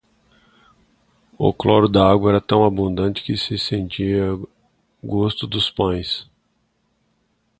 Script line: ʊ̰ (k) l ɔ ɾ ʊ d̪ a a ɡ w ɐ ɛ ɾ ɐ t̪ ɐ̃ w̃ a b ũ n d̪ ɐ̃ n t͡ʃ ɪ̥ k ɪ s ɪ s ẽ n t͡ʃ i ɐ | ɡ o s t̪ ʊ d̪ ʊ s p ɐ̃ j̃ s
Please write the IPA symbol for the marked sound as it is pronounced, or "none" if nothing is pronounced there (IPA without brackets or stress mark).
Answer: k